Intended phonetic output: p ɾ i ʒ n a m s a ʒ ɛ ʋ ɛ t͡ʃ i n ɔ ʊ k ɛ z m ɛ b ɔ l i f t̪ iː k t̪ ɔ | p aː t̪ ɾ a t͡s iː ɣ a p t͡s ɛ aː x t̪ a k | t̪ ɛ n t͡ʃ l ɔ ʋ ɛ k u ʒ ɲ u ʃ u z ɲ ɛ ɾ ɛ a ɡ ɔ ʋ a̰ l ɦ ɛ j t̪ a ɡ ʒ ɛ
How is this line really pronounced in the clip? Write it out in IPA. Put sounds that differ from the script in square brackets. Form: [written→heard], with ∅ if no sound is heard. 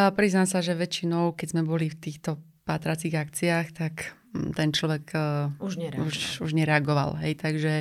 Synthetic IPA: p ɾ i [ʒ→z] n a m s a ʒ ɛ ʋ ɛ t͡ʃ i n ɔ ʊ k ɛ z m ɛ b ɔ l i f t̪ iː [k→x] t̪ ɔ | p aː t̪ ɾ a t͡s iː ɣ a [p→k] t͡s [ɛ→i] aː x t̪ a k | t̪ ɛ n t͡ʃ l ɔ ʋ ɛ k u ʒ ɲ u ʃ u [z→ʒ] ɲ ɛ ɾ ɛ a ɡ ɔ ʋ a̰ l ɦ ɛ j t̪ a ɡ ʒ ɛ